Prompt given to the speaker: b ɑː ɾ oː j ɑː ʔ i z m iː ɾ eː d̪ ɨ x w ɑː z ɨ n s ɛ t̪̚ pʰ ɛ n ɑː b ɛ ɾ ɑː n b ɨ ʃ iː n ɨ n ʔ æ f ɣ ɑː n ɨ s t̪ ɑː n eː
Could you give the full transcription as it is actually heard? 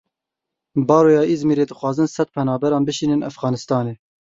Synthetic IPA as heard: b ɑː ɾ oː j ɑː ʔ i z m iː ɾ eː d̪ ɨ x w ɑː z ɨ n s ɛ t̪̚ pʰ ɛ n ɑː b ɛ ɾ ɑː n b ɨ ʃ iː n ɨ n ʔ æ f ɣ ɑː n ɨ s t̪ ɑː n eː